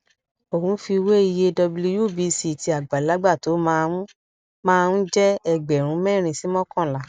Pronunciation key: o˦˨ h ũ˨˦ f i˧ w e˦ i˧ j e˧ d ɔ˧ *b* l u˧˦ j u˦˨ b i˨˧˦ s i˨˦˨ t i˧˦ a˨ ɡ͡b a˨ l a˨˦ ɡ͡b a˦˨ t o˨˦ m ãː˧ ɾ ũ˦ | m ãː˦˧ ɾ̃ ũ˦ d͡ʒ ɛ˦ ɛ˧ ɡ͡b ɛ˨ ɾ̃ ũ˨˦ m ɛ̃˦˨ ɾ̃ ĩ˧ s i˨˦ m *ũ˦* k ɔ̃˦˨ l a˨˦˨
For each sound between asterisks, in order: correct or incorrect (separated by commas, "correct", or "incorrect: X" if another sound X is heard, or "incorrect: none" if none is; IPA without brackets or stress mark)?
correct, incorrect: ɔ̃˦